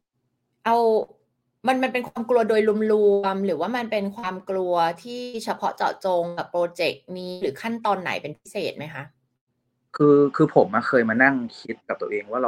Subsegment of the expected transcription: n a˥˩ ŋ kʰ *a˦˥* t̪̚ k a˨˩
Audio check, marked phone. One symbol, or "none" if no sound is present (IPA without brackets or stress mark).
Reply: i˦˥